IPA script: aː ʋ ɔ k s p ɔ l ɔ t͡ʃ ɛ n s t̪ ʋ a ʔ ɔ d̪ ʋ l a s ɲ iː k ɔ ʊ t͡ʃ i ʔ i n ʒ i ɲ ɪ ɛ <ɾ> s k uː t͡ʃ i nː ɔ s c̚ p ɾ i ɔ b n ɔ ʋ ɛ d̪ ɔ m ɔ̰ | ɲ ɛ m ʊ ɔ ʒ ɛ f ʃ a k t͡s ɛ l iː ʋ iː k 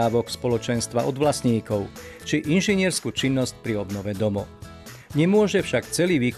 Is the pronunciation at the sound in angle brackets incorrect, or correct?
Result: correct